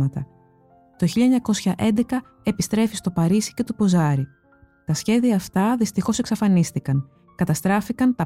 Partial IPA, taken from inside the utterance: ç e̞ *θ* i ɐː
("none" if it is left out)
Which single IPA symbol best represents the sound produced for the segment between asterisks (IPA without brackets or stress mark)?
ð